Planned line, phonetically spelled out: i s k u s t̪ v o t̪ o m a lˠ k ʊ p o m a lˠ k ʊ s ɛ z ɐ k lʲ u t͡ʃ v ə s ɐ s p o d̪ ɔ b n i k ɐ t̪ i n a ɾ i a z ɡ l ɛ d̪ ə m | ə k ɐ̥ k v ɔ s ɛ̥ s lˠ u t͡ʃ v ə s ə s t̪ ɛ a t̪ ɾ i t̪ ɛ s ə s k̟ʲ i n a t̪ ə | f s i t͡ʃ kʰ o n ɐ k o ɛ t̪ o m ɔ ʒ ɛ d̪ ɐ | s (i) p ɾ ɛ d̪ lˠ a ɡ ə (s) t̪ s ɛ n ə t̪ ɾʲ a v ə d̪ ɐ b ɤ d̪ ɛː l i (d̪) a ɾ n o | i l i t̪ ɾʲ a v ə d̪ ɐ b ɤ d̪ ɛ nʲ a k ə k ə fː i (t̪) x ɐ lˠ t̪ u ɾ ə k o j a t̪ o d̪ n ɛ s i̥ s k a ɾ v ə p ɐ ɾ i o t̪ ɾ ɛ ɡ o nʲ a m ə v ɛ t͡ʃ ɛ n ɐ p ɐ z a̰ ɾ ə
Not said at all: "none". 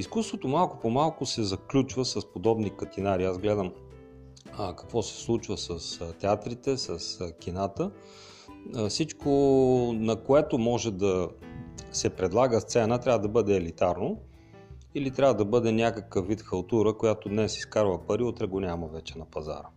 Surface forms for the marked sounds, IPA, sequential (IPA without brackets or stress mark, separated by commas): ɛ, s, t̪, t̪